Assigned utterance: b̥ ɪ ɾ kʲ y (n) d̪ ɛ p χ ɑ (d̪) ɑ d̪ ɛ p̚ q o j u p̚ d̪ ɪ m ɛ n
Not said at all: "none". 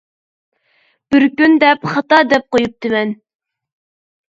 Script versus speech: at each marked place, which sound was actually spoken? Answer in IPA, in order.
n, t̪

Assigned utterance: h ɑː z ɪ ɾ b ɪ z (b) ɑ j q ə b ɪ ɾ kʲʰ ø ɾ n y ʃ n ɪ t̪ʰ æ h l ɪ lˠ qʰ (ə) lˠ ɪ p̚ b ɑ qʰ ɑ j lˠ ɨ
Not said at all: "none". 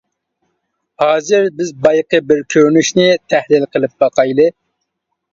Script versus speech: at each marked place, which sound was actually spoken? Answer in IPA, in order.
b, ə

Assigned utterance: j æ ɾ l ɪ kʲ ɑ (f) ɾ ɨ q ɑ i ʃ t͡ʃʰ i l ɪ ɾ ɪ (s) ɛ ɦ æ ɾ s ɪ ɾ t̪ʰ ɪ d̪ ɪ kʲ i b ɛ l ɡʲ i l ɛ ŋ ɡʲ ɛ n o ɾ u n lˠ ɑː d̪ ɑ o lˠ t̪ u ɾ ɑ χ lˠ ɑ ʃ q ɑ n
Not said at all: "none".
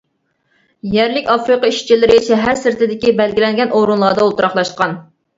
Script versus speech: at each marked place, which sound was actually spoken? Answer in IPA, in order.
f, ʃ

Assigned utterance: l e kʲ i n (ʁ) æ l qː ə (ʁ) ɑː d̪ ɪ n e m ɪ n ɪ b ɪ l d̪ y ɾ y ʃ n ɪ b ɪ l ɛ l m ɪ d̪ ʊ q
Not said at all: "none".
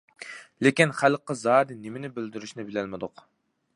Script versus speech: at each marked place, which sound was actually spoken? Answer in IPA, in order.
χ, z

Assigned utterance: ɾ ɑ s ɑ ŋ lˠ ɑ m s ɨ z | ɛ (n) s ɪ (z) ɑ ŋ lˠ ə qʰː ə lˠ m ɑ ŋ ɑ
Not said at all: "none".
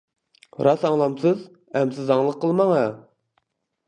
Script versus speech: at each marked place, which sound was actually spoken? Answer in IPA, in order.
m, z

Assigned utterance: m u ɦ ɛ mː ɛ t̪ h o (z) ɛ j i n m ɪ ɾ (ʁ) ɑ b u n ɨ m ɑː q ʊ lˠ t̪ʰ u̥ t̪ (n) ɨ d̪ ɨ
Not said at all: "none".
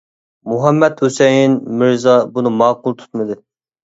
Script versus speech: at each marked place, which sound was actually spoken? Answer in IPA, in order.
s, z, m

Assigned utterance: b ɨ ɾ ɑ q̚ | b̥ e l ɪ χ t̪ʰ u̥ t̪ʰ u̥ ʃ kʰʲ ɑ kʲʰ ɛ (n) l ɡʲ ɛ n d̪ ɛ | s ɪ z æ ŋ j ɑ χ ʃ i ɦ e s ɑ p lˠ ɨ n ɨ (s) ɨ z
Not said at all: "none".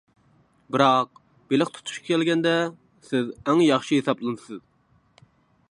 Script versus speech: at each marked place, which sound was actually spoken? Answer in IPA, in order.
none, s

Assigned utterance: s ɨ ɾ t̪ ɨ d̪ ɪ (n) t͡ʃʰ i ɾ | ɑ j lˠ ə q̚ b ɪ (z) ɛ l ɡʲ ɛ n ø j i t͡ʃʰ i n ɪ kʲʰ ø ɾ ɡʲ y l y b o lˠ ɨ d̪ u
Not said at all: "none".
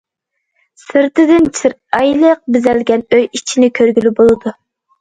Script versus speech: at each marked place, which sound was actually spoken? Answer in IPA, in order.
n, z

